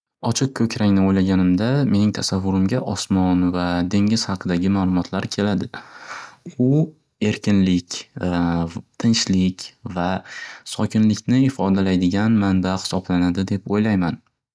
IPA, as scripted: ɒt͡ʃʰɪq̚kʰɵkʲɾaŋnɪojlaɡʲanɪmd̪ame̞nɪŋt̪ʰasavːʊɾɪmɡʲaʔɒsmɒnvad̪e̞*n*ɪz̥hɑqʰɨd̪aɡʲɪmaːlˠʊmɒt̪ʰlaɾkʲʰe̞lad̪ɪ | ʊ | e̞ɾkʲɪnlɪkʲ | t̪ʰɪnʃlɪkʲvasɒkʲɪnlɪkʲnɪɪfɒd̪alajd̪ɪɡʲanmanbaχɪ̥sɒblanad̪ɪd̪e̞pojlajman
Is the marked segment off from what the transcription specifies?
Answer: yes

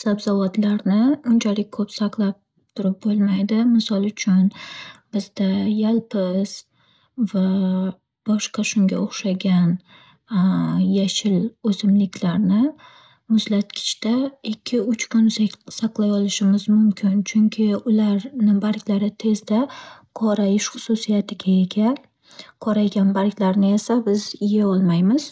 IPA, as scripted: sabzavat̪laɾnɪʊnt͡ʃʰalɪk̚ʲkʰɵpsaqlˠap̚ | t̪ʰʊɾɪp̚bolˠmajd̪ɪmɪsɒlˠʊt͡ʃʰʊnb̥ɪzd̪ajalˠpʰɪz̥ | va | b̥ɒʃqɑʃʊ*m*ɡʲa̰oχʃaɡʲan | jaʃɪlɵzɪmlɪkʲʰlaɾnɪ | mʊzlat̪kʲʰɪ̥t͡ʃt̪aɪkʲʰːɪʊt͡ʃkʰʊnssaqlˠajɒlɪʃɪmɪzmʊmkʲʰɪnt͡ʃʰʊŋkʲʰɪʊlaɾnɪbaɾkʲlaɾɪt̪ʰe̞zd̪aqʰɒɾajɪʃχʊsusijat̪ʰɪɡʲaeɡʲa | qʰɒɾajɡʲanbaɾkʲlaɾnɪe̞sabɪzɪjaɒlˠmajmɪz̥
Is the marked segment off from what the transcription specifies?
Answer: yes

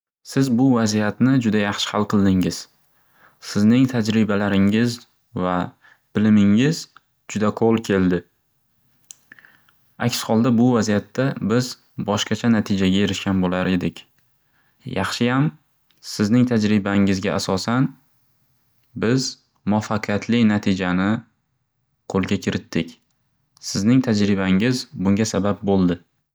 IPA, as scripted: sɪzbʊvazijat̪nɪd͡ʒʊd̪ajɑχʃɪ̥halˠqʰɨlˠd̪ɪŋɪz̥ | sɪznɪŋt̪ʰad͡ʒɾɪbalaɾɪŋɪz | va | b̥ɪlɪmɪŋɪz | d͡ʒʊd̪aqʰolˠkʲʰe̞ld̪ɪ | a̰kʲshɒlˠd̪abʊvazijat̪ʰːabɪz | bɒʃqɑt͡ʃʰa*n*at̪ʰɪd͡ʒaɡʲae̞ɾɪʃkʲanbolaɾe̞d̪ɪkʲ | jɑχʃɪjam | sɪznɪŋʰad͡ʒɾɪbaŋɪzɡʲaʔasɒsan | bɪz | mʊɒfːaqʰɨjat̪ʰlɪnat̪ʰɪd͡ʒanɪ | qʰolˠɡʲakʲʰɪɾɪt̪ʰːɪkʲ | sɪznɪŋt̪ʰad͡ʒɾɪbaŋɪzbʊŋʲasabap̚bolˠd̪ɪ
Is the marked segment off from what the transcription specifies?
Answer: no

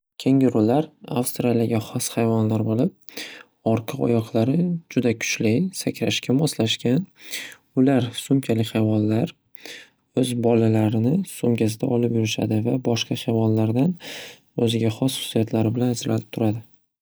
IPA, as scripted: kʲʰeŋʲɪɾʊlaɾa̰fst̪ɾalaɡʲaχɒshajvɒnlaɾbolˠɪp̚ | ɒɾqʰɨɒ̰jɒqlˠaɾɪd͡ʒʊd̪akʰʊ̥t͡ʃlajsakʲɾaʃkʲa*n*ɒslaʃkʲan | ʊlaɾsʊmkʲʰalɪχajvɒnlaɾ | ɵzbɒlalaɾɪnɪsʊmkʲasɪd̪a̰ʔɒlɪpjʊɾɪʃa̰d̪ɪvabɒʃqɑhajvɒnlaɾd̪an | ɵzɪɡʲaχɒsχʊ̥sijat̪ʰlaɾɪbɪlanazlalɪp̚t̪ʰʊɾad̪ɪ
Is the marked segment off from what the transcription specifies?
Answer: yes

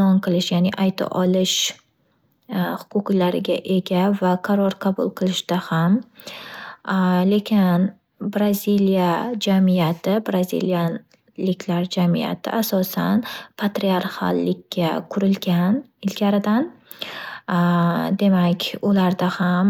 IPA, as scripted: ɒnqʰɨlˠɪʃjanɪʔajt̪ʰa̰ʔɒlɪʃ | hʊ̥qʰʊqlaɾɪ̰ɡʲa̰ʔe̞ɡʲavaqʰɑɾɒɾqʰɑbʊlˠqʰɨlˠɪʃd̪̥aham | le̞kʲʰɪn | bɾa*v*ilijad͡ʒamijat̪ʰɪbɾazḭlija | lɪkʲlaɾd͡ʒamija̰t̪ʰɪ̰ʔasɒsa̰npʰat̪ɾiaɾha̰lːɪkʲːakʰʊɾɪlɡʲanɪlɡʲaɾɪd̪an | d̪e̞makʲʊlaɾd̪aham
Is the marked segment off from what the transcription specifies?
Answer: yes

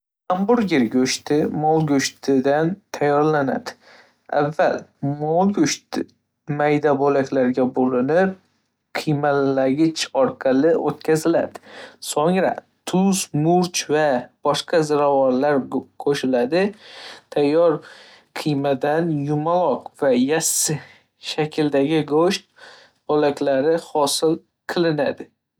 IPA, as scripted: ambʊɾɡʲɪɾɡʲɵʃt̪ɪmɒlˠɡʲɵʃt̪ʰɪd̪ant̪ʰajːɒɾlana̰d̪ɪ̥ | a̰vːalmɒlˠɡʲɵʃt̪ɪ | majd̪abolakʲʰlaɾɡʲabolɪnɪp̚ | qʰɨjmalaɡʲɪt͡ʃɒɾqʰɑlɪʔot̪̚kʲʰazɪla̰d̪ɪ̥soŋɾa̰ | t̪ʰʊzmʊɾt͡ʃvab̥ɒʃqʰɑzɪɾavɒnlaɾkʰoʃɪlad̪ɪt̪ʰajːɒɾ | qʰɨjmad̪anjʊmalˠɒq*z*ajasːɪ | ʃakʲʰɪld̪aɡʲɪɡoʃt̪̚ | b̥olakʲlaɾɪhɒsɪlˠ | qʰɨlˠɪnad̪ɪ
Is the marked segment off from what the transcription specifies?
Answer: yes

